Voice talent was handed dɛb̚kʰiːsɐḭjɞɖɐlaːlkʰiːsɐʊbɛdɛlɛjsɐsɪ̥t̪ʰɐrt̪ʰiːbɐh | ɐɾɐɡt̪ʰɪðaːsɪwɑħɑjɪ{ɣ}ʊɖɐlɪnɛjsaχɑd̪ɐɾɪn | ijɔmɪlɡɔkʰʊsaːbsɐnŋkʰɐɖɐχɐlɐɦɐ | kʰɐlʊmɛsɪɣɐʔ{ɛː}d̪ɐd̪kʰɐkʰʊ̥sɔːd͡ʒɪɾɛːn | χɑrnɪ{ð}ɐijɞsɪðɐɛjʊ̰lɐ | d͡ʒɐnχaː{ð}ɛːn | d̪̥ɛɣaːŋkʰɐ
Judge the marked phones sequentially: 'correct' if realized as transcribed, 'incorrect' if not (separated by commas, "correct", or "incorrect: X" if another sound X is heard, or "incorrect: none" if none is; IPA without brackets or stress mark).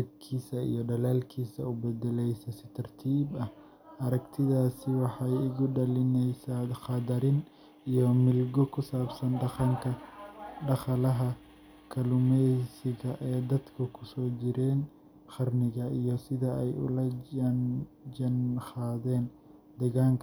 correct, correct, incorrect: ɣ, correct